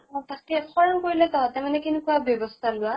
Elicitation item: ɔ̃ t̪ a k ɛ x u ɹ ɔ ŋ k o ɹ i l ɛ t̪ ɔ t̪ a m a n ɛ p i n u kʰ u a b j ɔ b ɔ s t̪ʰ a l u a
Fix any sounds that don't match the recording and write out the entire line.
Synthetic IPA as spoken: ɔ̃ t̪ a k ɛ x ɔ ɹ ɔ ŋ k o ɹ i l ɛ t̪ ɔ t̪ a m a n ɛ k i n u k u a b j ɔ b ɔ s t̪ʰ a l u a